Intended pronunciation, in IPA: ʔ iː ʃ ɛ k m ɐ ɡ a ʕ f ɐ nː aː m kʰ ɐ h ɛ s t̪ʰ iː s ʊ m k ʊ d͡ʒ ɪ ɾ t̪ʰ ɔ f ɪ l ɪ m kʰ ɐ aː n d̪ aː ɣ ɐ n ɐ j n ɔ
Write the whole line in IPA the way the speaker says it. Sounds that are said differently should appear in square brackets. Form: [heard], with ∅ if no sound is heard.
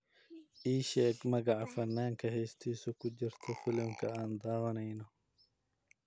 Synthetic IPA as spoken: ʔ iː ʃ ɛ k m ɐ ɡ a ʕ f ɐ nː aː [ŋ] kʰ ɐ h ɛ s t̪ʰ iː s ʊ [∅] k ʊ d͡ʒ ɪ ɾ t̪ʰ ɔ f ɪ l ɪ m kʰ ɐ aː n d̪ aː [w] ɐ n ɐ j n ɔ